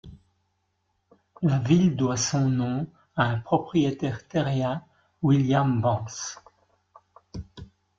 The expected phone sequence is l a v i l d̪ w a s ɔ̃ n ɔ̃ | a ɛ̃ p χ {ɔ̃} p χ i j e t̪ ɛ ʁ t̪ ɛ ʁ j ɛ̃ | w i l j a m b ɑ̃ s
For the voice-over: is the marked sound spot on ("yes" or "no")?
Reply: no